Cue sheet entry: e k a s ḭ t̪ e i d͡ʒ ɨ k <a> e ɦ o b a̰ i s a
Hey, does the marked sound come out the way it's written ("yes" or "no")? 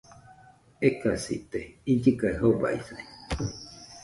yes